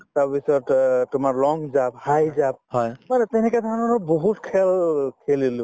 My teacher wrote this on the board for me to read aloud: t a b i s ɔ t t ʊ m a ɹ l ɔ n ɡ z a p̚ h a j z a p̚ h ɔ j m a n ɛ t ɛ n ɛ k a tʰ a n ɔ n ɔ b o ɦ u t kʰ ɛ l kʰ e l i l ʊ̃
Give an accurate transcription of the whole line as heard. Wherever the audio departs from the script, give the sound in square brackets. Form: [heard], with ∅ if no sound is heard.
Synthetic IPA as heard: t a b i s ɔ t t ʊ m a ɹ l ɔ [ŋ] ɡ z a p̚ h a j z a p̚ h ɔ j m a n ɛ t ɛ n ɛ k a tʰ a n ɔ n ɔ b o ɦ u t kʰ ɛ l kʰ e l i l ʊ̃

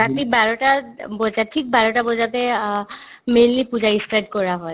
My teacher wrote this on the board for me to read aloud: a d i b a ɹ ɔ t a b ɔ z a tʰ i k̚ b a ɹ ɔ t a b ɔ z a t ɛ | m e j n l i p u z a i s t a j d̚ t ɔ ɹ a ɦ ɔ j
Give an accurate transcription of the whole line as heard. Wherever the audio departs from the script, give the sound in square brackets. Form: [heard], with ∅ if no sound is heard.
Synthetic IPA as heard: a [t] i b a ɹ ɔ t a b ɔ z a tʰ i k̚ b a ɹ ɔ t a b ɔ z a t ɛ | m e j n l i p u z a i s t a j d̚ [k] ɔ ɹ a ɦ ɔ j

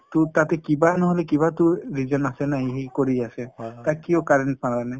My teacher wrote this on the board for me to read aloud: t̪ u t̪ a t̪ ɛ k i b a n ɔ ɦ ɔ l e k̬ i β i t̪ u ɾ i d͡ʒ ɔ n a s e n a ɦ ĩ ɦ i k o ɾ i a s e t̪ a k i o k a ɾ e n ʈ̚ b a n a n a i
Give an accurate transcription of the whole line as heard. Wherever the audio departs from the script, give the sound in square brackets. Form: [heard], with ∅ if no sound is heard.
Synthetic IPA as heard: t̪ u t̪ a t̪ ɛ k i b a n ɔ ɦ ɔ l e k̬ i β [a] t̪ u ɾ i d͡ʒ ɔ n a s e n a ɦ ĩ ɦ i k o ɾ i a s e t̪ a k i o k a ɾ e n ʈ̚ [p] a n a n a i

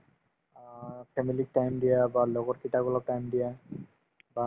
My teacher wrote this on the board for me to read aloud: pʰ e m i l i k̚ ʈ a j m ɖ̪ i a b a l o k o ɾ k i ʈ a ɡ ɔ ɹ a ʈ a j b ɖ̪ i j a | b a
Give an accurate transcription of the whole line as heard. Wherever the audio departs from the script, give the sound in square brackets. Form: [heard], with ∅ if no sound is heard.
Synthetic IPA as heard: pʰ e m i l i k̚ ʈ a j m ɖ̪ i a b a l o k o ɾ k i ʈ a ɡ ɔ [l] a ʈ a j [m] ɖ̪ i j a | b a

